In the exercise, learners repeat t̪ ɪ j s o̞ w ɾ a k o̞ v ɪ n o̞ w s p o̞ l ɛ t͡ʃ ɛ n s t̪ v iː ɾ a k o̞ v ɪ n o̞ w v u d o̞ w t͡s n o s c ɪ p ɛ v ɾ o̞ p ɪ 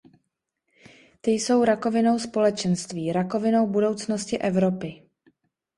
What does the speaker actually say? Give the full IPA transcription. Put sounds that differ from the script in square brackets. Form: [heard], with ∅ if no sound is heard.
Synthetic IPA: t̪ ɪ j s o̞ w ɾ a k o̞ v ɪ n o̞ w s p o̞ l ɛ t͡ʃ ɛ n s t̪ v iː ɾ a k o̞ v ɪ n o̞ w [b] u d o̞ w t͡s n o s c ɪ [ʔ] ɛ v ɾ o̞ p ɪ